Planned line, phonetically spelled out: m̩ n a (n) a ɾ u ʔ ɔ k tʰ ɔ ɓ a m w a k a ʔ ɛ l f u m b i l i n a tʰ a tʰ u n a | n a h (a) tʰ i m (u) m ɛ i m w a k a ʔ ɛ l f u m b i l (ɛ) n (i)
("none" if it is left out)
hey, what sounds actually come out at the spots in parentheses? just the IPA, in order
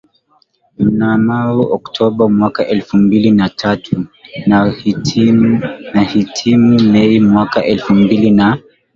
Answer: m, i, u, i, a

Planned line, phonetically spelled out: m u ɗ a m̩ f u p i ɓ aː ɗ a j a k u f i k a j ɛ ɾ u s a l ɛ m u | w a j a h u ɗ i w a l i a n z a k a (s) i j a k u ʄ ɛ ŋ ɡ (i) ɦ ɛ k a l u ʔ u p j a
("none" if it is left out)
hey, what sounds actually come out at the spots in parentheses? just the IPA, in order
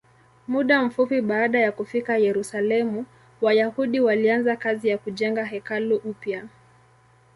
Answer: z, a

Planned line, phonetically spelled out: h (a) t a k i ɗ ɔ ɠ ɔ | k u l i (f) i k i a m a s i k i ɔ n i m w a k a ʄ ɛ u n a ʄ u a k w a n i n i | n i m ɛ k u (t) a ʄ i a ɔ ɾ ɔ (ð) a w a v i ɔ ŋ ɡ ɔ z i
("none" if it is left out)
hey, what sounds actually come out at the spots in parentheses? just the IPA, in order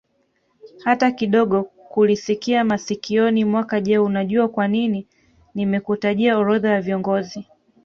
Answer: a, s, t, ð

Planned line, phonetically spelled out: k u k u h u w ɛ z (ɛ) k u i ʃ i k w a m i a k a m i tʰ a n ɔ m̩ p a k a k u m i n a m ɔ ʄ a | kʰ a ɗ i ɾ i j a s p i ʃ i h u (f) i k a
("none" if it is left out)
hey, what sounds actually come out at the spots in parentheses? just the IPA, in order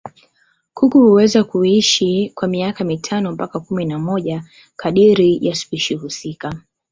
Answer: a, s

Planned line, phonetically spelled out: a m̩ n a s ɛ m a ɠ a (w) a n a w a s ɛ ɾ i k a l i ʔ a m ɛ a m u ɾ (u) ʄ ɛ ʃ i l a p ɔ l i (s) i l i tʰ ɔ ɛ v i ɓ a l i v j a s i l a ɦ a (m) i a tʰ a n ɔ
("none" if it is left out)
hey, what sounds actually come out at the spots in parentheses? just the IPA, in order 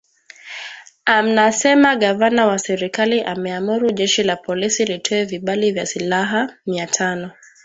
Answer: v, u, s, m

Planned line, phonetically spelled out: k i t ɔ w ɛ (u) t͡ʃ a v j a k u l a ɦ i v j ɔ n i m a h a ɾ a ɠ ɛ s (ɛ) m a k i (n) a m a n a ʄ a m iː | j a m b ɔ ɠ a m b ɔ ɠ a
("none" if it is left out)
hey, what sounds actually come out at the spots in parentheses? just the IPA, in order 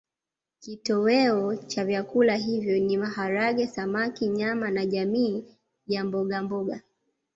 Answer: ɔ, a, ɲ

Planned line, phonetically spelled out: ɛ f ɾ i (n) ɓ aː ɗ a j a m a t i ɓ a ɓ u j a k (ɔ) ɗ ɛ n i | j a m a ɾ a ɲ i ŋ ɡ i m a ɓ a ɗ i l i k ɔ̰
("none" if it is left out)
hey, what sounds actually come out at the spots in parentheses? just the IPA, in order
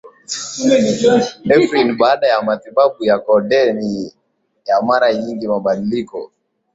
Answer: n, ɔ

